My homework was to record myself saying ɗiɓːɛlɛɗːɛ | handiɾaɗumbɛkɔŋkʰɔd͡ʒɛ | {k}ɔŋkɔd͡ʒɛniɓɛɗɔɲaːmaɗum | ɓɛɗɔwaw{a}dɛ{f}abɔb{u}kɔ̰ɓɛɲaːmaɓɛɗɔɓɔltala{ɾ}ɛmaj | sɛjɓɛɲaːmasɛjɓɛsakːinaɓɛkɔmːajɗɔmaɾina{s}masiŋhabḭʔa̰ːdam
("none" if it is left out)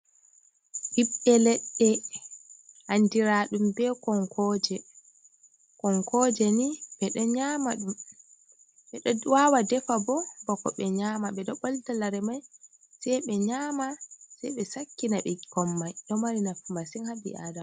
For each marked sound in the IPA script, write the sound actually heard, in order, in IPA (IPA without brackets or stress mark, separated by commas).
k, a, f, ɔ, ɾ, f